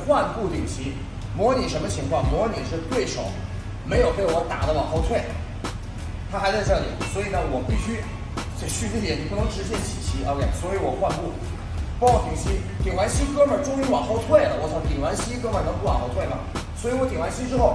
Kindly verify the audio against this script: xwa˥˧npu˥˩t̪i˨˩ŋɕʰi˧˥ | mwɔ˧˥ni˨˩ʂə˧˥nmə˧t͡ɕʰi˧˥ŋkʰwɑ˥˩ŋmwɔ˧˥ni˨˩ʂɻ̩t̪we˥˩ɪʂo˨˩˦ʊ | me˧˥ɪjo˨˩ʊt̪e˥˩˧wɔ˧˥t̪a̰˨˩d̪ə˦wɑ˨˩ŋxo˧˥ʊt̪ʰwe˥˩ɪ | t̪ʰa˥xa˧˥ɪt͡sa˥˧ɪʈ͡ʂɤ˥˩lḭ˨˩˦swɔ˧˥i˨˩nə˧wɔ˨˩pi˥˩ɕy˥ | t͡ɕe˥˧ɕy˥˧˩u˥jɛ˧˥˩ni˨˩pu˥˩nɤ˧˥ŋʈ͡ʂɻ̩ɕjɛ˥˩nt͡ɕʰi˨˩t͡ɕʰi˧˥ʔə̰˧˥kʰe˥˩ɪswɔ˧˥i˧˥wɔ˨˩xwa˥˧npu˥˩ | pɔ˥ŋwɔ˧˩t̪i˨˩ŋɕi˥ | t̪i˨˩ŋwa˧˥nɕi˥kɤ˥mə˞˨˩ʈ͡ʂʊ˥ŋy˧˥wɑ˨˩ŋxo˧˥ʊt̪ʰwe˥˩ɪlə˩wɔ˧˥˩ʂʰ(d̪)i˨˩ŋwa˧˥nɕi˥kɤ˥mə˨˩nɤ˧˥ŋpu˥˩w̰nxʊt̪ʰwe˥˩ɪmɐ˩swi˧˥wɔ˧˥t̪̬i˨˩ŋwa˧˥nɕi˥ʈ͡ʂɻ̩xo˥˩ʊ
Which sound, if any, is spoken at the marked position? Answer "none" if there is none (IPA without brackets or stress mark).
t̪